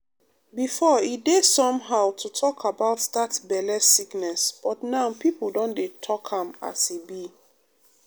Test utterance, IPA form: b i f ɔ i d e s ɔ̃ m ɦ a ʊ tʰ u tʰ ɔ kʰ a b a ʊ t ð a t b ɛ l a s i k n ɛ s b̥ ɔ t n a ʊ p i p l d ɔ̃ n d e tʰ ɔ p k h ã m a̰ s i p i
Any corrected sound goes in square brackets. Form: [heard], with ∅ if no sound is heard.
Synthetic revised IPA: b i f ɔ i d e s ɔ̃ m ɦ a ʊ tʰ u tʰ ɔ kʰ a b a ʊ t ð a t b ɛ l [ɛ] s i k n ɛ s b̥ ɔ t n a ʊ p i p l d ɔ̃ n d e tʰ ɔ [∅] k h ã m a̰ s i [b] i

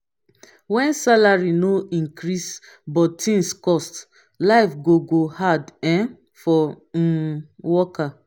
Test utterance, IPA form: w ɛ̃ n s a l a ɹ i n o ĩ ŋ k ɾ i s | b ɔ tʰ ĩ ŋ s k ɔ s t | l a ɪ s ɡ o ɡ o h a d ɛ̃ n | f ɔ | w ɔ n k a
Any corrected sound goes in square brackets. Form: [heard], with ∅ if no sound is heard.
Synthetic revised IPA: w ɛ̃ n s a l a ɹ i n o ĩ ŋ k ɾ i s | b ɔ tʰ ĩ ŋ s k ɔ s t | l a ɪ [f] ɡ o ɡ o h a d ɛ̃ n | f ɔ | w ɔ [∅] k a

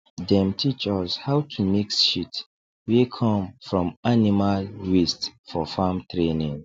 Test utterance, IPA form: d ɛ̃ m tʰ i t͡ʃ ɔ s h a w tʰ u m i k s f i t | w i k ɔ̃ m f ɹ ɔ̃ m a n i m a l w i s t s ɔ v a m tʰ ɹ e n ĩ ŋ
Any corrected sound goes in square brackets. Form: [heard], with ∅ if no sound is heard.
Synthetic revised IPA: d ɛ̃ m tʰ i t͡ʃ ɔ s h a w tʰ u m i k s [ʃ] i t | w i [kʰ] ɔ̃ m f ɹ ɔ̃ m a n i m a l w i s t [f] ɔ [f] a m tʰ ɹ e n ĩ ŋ

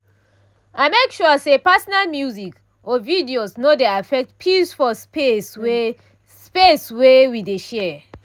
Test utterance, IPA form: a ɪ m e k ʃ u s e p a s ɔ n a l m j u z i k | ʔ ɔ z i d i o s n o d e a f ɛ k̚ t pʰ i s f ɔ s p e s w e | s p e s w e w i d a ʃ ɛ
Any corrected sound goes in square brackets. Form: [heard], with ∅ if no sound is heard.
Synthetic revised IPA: a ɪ m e k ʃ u s e p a s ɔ n a l m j u z i k | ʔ ɔ [v] i d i o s n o d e a f ɛ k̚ t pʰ i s f ɔ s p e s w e | s p e s w e w i d [e] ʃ ɛ

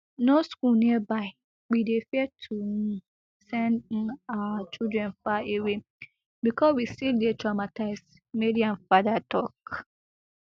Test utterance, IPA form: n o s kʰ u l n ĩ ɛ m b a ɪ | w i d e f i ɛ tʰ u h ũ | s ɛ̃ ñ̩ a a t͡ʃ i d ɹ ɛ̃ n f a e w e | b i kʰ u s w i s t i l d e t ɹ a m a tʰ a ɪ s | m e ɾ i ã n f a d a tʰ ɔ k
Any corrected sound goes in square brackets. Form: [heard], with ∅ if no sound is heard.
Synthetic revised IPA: n o s [k] u l n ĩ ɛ [∅] b a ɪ | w i d e f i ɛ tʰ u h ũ | s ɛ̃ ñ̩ a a t͡ʃ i d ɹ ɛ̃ n f a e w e | b i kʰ [ɔ] s w i s t i l d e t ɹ a m a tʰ a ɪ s | m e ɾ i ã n f a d a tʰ ɔ k

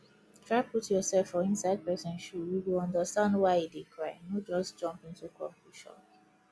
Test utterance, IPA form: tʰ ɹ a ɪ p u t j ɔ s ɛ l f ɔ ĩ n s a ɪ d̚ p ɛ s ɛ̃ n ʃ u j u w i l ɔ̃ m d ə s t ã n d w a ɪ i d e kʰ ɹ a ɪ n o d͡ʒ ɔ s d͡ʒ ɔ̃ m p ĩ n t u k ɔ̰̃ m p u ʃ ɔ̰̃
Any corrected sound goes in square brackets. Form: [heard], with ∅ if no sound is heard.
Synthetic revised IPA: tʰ ɹ a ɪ p u t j ɔ s ɛ l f ɔ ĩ n s a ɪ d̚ p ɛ s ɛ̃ n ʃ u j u w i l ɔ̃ [n] d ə s t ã n d w a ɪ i d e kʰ ɹ a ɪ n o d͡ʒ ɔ s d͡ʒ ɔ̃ m p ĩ n t u k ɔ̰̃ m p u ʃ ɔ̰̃

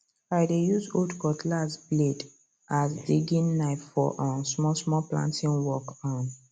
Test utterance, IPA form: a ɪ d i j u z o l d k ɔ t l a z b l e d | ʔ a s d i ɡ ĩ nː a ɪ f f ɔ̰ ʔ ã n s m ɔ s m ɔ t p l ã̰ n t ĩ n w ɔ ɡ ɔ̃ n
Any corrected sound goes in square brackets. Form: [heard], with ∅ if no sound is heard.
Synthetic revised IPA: a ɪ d [e] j u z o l d k ɔ t l a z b l e d | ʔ a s d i ɡ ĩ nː a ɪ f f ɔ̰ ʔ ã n s m ɔ s m ɔ [∅] p l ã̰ n t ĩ n w ɔ [k] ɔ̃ n

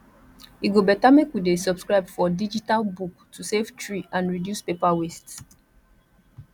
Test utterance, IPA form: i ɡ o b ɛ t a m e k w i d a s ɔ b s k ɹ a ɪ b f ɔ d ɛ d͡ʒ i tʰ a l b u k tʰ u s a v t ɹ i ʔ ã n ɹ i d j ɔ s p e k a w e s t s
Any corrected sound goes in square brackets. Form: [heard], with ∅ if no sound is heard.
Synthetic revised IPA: i ɡ o b ɛ t a m e k w i d [e] s ɔ b s k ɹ a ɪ b f ɔ d [i] d͡ʒ i [t] a l b u k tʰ u s [e] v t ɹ i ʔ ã n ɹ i d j [u] s p e [p] a w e s t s

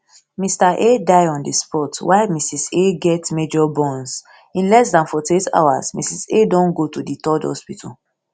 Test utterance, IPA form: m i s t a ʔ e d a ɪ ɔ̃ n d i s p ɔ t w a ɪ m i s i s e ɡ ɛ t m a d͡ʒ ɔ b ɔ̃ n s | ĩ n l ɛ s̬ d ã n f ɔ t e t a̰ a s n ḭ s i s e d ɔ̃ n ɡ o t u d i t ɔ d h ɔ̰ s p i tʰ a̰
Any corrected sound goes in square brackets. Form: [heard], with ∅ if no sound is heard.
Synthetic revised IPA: m i s t a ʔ e d a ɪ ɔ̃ n d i s p ɔ t w a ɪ m i s i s e ɡ ɛ t m [e] d͡ʒ ɔ b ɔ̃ n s | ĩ n l ɛ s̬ d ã n f ɔ t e t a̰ a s [m] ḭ s i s e d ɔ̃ n ɡ o t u d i t ɔ d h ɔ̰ s p i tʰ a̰

